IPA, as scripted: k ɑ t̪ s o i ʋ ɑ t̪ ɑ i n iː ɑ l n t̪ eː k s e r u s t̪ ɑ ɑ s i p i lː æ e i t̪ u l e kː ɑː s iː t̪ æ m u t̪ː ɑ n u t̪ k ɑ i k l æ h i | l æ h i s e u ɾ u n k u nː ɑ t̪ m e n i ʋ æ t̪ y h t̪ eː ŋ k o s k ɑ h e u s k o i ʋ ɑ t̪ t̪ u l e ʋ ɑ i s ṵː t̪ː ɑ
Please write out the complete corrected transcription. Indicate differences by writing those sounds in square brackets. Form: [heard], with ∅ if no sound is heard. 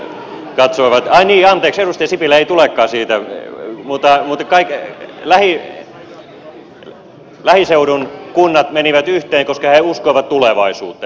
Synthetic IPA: k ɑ t̪ s o i ʋ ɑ t̪ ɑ i n iː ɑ [∅] n t̪ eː k s e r u s t̪ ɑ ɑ s i p i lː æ e i t̪ u l e kː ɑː s iː t̪ æ m u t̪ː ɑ [m] u t̪ k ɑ i k l æ h i | l æ h i s e u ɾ u n k u nː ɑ t̪ m e n i ʋ æ t̪ y h t̪ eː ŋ k o s k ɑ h e u s k o i ʋ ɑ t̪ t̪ u l e ʋ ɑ i s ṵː t̪ː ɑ